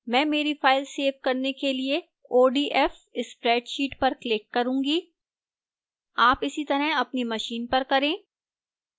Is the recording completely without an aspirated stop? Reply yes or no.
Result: yes